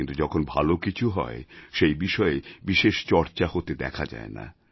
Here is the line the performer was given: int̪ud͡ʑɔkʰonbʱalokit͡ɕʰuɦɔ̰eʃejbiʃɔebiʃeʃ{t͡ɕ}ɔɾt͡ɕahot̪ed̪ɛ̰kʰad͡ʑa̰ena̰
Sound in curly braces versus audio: correct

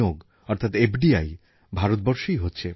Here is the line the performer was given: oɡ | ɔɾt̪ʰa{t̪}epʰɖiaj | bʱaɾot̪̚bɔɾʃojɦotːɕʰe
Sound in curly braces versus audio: correct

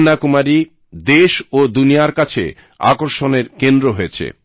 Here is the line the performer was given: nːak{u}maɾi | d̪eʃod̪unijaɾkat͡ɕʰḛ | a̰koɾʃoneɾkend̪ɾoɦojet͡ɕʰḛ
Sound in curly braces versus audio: correct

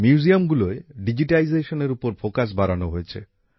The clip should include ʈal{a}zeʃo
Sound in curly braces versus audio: incorrect: i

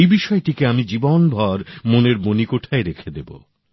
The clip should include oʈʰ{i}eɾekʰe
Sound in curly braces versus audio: incorrect: a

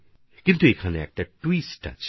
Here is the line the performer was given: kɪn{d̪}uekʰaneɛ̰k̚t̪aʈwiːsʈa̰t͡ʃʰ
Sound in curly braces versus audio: incorrect: t̪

